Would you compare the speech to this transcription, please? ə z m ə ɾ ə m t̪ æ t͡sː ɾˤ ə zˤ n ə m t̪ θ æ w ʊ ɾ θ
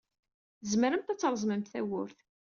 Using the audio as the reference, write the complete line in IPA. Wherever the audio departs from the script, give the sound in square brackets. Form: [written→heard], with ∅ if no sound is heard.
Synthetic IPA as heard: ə z m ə ɾ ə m t̪ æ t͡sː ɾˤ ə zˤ [n→m] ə m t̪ θ æ w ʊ ɾ θ